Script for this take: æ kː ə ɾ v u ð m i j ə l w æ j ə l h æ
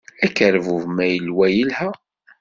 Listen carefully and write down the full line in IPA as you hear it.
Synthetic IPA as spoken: æ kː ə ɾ v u v m æ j ə l w æ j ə l h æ